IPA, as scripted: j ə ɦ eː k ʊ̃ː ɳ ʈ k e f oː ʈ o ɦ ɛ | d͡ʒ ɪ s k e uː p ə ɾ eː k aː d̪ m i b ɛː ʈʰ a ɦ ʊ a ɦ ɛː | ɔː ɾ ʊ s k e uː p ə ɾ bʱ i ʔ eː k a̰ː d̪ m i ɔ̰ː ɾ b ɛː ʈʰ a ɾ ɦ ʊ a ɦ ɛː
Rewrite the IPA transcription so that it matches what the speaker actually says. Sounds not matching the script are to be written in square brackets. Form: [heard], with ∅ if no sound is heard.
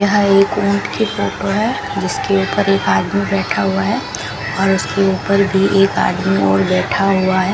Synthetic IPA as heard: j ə ɦ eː k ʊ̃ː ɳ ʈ k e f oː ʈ o ɦ ɛ | d͡ʒ ɪ s k e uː p ə ɾ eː k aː d̪ m i b ɛː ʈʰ a ɦ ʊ a ɦ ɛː | ɔː ɾ ʊ s k e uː p ə ɾ bʱ i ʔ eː k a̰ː d̪ m i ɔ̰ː ɾ b ɛː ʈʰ a [∅] ɦ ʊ a ɦ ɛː